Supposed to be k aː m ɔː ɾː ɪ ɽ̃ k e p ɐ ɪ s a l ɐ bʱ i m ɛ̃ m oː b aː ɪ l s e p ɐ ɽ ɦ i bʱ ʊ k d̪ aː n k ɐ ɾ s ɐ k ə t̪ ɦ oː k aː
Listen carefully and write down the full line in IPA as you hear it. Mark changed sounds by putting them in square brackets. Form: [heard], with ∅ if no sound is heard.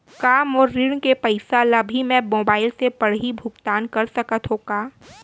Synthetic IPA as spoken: k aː m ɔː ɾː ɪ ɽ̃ k e p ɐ ɪ s a l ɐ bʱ i m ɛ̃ m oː b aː ɪ l s e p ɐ ɽ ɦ i bʱ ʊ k [t̪] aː n k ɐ ɾ s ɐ k ə t̪ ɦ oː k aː

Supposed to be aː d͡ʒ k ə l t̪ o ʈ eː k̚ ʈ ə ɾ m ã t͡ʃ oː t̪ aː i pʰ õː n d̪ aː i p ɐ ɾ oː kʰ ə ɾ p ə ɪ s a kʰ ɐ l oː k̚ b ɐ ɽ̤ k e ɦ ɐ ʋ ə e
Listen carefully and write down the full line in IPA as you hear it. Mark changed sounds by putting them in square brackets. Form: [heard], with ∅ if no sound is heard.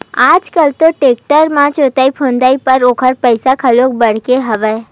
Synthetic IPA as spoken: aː d͡ʒ k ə l t̪ o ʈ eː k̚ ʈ ə ɾ m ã t͡ʃ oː t̪ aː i pʰ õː n d̪ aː i p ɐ ɾ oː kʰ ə ɾ p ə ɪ s a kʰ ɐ l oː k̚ b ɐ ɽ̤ k e ɦ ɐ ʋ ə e

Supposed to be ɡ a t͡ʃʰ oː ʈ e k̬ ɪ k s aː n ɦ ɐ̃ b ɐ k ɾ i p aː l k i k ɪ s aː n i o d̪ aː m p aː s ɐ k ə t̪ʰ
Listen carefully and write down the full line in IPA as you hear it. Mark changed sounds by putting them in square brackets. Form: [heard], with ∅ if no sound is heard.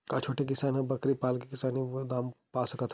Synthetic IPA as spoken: [k] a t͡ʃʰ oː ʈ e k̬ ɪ [∅] s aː n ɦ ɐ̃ b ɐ k ɾ i p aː l k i k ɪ s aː n i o d̪ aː m p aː s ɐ k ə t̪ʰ

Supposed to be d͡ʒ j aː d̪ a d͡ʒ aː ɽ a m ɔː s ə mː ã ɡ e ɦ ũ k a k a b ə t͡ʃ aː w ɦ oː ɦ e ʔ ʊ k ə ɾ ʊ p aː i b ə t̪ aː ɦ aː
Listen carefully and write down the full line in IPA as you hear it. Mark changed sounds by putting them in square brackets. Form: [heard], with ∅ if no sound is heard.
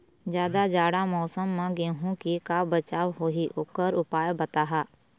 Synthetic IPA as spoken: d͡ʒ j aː d̪ a d͡ʒ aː ɽ a m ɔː s ə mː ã ɡ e ɦ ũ k [i] k a b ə t͡ʃ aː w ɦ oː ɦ [i] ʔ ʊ k ə ɾ ʊ p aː [j] b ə t̪ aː ɦ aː

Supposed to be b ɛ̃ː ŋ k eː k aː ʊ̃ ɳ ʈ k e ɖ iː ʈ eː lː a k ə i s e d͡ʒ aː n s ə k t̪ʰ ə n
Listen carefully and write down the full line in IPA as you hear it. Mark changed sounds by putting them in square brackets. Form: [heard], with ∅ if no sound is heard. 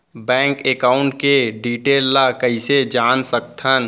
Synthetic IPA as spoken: b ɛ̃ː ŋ k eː k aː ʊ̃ ɳ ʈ k e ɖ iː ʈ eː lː a k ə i s e d͡ʒ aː n s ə k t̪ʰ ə n

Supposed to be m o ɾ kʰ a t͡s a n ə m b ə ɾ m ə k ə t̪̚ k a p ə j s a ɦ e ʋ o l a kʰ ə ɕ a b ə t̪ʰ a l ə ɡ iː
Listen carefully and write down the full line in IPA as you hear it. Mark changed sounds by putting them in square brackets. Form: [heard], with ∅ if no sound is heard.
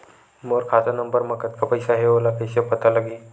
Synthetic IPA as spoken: m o ɾ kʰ a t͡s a n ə m b ə ɾ m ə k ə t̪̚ k a p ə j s a ɦ e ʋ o l a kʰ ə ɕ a [p] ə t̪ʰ a l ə ɡ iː

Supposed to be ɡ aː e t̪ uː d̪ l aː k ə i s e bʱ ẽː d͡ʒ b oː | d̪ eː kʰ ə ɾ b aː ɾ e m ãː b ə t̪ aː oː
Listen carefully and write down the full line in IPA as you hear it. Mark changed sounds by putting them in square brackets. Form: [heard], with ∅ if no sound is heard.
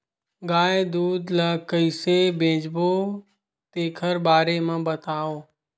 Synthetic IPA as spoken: ɡ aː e [d̪] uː d̪ l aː k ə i s e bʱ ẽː d͡ʒ b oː | [t̪] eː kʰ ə ɾ b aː ɾ e m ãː b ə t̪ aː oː

